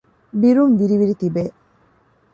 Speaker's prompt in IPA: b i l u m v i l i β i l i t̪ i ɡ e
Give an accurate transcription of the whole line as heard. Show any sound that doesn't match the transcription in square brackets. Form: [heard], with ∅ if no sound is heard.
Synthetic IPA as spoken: b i [ɾ] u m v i [ɾ] i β i [ɾ] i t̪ i [b] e